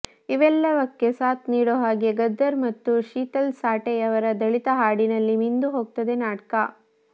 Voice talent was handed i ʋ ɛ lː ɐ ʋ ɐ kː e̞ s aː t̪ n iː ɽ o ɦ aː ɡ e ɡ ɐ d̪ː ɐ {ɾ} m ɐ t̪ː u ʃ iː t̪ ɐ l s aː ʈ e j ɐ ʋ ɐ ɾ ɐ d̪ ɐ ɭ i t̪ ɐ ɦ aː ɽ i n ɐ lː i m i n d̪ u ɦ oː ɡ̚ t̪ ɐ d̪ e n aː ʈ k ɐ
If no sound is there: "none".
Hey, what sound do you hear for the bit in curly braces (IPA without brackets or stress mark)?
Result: ɾ